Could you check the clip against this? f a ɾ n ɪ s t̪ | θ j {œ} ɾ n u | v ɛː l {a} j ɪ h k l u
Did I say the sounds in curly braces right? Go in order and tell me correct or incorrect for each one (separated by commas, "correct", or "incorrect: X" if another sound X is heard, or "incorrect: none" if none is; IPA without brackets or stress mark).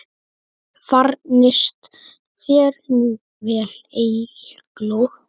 incorrect: ɛ, incorrect: e